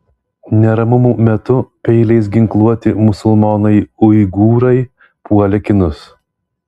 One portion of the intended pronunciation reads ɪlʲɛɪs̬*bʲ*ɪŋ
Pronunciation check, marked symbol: incorrect: ɡʲ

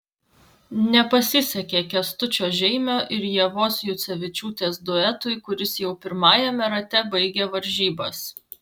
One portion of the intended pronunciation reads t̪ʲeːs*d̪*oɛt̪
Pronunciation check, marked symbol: correct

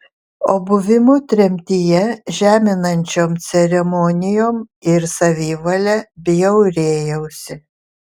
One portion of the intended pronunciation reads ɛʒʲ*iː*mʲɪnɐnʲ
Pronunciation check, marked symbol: incorrect: æː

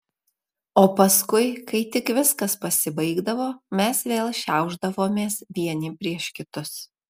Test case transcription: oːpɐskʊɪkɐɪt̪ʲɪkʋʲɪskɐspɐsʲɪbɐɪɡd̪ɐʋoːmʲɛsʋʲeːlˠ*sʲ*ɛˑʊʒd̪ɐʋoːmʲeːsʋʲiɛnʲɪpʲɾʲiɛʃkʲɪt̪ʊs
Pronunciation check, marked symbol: incorrect: ʃʲ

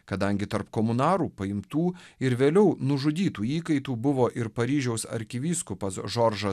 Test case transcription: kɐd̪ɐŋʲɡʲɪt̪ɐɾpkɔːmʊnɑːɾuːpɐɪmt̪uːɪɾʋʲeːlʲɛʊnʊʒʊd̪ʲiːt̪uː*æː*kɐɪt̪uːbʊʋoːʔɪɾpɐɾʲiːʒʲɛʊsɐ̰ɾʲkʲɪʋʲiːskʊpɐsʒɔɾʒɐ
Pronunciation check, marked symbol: incorrect: iː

